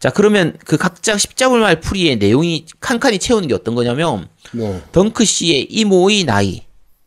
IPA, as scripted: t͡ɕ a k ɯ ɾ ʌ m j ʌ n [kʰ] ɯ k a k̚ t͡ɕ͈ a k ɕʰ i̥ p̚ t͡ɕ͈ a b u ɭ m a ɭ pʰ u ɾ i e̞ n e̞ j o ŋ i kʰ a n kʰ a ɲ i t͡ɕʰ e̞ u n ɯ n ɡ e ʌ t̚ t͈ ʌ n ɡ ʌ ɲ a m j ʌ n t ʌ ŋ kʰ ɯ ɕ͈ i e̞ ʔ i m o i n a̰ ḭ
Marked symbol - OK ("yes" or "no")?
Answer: no